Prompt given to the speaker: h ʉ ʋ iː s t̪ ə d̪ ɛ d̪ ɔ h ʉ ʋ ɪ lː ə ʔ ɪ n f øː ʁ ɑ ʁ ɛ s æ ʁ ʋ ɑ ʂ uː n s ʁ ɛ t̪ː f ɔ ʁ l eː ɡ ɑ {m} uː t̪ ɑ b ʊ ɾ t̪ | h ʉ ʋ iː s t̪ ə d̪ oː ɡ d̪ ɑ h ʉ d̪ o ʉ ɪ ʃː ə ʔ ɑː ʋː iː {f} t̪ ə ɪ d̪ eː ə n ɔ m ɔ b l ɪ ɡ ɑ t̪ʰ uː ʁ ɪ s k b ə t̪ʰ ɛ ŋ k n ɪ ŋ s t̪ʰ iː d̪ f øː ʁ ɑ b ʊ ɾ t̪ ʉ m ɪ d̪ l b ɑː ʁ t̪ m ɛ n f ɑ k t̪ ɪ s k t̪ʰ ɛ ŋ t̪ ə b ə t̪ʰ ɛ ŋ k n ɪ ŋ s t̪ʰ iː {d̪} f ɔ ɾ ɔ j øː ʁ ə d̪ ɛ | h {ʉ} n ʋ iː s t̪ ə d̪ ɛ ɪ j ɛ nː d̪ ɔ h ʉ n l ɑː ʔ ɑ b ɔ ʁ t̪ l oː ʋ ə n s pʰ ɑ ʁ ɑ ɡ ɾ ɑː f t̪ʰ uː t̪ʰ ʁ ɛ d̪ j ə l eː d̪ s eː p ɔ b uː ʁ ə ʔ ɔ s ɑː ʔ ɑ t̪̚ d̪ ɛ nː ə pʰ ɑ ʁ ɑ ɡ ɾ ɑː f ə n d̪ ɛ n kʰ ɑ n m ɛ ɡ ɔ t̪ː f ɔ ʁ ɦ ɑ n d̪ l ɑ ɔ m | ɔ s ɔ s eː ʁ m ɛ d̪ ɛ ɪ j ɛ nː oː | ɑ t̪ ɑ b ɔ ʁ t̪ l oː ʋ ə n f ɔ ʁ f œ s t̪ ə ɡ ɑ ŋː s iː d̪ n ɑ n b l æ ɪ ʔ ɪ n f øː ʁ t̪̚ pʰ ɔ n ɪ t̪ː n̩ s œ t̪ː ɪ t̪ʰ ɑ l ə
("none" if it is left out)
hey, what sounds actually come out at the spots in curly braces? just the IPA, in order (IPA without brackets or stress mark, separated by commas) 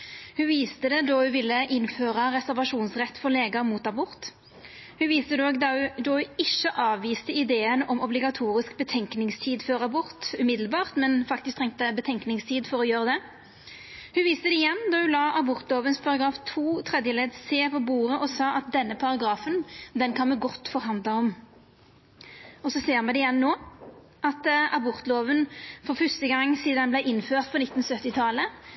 m, s, d̪, ʉ